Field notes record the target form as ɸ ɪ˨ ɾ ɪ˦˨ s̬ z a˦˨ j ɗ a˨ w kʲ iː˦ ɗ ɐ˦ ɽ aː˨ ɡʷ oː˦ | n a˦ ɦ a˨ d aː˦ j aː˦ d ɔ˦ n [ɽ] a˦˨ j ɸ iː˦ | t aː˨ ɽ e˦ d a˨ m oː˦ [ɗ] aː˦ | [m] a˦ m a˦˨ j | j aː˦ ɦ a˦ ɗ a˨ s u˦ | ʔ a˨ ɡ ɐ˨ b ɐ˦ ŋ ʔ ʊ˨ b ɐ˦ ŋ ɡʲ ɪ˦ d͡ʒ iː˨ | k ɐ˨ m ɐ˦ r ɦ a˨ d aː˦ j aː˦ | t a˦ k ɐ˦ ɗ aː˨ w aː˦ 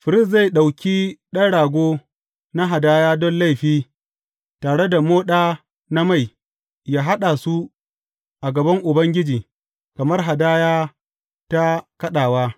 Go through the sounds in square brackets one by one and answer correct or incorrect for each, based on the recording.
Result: incorrect: l, correct, incorrect: n

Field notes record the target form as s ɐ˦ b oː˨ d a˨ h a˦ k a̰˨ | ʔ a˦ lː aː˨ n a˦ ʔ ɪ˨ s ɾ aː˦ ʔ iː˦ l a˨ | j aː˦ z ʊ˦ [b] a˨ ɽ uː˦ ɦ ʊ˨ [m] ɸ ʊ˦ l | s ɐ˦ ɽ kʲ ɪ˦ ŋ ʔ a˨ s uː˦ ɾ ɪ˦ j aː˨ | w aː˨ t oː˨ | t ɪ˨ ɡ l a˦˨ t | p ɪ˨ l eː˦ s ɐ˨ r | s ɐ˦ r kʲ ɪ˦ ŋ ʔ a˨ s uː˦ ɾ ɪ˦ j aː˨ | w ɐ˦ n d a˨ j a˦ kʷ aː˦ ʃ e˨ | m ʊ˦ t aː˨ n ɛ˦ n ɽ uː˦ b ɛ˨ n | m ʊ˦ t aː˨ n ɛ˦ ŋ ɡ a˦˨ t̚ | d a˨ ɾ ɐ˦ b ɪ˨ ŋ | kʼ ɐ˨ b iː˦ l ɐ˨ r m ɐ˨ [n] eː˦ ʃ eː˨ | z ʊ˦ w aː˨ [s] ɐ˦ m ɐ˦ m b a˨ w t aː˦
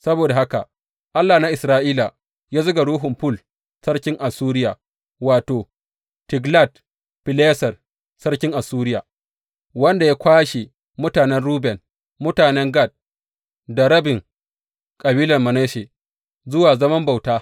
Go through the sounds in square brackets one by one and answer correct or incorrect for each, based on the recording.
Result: incorrect: ɡ, correct, correct, incorrect: z

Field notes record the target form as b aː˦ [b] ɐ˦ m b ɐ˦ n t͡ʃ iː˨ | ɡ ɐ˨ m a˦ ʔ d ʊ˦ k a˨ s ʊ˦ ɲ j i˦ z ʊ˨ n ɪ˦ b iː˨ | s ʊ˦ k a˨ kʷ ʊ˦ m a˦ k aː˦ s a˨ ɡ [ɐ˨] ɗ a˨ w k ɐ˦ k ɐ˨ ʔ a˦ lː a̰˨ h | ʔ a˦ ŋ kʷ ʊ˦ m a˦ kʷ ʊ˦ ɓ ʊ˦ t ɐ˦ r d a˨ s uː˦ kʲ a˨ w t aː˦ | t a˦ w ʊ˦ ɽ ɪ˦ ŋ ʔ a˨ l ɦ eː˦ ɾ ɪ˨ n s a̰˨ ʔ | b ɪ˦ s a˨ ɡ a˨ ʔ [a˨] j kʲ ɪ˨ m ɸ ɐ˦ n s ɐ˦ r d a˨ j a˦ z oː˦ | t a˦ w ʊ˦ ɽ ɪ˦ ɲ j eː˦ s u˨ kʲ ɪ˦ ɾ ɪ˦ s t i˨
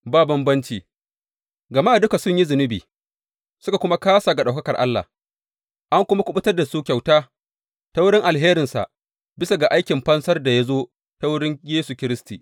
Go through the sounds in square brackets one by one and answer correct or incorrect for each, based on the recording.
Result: correct, incorrect: a˨, incorrect: a˦

